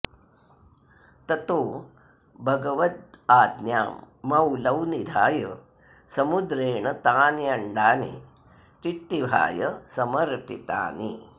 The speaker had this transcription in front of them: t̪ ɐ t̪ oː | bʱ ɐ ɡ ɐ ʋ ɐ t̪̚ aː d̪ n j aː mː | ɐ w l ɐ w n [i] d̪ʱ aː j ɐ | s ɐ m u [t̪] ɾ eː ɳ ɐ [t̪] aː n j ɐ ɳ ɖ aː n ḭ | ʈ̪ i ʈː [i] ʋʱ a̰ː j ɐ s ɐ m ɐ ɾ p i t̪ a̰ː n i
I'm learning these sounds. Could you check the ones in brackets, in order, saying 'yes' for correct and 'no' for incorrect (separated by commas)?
yes, no, yes, yes